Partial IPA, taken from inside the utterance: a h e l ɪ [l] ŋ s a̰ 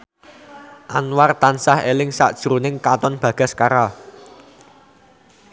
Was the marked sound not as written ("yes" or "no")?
yes